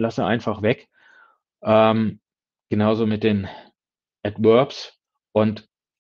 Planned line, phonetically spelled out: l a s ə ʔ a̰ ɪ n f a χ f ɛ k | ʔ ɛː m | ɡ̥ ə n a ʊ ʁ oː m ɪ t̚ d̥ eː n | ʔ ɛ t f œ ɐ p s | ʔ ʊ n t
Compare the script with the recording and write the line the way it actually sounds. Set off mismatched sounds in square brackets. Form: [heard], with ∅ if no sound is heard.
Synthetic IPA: l a s ə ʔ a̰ ɪ n f a χ [v] ɛ k | ʔ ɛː m | ɡ̥ ə n a ʊ [z] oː m ɪ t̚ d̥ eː n | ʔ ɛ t [v] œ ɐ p s | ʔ ʊ n t